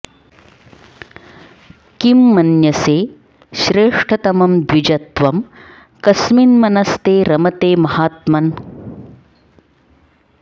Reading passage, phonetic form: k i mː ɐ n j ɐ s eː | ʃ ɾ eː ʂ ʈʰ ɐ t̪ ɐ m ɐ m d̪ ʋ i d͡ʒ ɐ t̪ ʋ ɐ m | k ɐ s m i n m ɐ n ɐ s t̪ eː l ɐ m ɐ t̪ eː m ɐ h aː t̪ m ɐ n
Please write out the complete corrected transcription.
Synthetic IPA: k i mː ɐ n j ɐ s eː | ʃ ɾ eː ʂ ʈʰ ɐ t̪ ɐ m ɐ m d̪ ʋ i d͡ʒ ɐ t̪ ʋ ɐ m | k ɐ s m i n m ɐ n ɐ s t̪ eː ɾ ɐ m ɐ t̪ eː m ɐ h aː t̪ m ɐ n